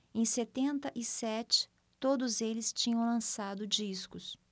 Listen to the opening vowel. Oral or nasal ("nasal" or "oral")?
nasal